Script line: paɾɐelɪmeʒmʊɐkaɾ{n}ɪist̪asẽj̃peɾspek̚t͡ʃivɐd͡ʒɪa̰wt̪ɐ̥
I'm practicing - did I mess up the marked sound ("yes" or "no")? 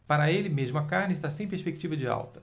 no